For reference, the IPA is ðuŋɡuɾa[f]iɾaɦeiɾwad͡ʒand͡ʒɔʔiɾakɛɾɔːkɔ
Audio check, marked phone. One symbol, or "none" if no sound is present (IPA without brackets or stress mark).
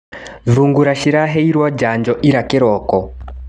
ʃ